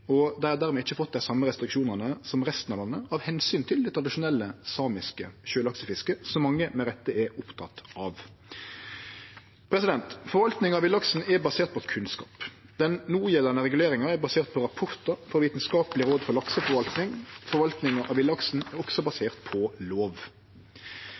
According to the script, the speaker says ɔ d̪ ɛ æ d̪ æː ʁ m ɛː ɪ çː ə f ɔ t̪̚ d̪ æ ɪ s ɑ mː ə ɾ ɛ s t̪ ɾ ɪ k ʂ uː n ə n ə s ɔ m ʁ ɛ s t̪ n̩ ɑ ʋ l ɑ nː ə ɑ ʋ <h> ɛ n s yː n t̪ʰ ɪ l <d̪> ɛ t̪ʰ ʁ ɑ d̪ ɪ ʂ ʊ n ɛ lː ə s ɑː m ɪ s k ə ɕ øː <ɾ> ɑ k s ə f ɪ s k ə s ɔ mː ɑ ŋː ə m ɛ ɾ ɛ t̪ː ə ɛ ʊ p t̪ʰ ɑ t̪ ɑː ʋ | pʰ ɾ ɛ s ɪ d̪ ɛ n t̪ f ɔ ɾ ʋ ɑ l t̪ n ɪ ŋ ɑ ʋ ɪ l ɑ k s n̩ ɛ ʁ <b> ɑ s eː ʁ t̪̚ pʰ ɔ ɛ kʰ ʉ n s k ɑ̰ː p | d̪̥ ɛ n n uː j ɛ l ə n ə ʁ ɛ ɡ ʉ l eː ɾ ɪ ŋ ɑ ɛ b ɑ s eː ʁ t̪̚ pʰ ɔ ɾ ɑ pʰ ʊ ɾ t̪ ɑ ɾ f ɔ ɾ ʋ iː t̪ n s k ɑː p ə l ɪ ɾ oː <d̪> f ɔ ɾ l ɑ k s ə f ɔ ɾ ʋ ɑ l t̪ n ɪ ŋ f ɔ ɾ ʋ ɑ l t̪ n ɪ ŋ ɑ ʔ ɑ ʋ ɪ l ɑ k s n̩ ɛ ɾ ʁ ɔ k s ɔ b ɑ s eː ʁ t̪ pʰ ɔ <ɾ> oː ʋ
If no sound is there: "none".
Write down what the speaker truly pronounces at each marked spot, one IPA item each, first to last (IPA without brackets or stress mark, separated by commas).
h, d̪, l, b, d̪, l